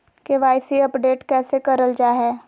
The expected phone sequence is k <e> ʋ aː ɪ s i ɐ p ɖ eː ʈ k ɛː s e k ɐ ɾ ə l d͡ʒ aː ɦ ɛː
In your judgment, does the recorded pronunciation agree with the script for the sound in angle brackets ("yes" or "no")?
yes